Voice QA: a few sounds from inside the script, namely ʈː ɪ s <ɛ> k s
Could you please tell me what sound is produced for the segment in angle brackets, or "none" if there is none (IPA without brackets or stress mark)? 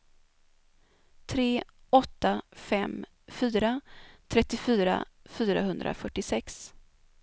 ɛ